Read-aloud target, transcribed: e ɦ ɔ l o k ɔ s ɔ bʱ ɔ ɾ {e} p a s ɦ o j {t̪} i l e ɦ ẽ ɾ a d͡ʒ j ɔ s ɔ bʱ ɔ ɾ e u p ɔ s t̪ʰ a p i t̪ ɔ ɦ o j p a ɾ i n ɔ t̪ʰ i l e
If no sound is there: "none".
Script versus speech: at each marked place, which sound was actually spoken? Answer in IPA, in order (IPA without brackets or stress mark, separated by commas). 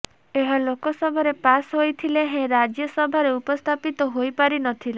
e, t̪ʰ